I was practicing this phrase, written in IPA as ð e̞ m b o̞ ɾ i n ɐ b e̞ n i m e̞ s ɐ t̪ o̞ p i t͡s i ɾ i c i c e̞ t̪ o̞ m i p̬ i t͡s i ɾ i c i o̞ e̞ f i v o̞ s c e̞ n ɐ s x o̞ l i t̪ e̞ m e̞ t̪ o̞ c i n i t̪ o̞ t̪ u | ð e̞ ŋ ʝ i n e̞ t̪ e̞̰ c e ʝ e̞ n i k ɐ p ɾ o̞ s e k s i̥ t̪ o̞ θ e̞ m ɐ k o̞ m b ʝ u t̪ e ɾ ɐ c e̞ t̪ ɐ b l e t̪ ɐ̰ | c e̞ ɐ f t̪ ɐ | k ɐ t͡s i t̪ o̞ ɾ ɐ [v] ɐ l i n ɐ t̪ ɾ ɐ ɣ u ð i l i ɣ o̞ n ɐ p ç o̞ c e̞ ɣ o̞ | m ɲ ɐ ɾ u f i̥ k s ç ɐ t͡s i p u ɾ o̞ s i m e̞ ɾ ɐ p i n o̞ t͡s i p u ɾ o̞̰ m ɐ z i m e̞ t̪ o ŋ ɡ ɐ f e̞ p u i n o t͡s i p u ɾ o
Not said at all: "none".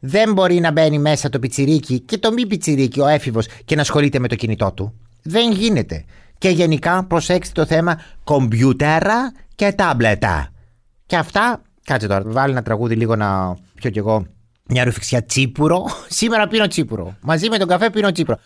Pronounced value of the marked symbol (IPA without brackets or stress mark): v